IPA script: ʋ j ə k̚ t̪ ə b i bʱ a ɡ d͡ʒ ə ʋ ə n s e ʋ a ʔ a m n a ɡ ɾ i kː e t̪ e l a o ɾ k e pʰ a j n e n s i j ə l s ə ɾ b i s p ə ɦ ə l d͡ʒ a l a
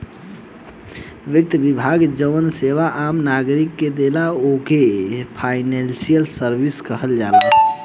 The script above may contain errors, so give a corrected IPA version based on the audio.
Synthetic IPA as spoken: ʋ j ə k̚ t̪ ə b i bʱ a ɡ d͡ʒ ə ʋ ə n s e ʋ a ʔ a m n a ɡ ɾ i kː e d̪ e l a o k e pʰ a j n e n s i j ə l s ə ɾ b i s k ə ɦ ə l d͡ʒ a l a